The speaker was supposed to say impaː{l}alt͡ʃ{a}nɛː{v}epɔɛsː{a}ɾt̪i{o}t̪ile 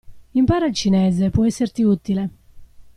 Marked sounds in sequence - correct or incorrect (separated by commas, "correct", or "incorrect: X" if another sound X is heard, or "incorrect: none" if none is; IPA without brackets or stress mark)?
incorrect: ɾ, incorrect: i, incorrect: z, incorrect: e, incorrect: u